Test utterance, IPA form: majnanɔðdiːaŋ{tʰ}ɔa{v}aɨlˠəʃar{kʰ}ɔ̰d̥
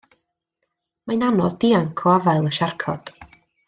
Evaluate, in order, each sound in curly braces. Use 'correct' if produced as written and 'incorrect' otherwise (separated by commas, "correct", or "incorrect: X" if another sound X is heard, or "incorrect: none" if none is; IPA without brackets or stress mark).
incorrect: kʰ, correct, correct